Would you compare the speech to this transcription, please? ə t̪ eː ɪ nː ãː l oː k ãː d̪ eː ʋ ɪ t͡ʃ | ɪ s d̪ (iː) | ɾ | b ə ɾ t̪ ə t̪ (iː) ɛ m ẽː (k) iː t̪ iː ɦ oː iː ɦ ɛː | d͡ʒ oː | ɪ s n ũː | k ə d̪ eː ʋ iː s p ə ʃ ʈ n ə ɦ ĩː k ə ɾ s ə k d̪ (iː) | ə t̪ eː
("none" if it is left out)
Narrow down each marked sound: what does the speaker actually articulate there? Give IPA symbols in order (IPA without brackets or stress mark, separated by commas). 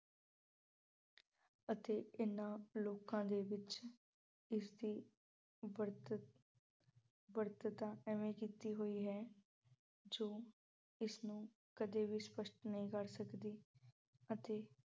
iː, aː, k, iː